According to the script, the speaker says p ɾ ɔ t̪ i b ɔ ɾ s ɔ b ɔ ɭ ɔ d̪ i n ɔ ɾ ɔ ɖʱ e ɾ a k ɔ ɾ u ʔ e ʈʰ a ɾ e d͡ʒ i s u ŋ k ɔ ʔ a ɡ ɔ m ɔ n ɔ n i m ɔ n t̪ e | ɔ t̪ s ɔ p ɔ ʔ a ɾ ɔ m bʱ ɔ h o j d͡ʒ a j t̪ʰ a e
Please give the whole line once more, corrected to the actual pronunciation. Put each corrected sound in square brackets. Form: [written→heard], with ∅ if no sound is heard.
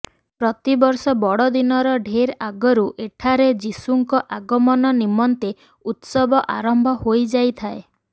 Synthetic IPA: p ɾ ɔ t̪ i b ɔ ɾ s ɔ b ɔ [ɭ→ɽ] ɔ d̪ i n ɔ ɾ ɔ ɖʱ e ɾ a [k→ɡ] ɔ ɾ u ʔ e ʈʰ a ɾ e d͡ʒ i s u ŋ k ɔ ʔ a ɡ ɔ m ɔ n ɔ n i m ɔ n t̪ e | [ɔ→u] t̪ s ɔ [p→b] ɔ ʔ a ɾ ɔ m bʱ ɔ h o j d͡ʒ a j t̪ʰ a e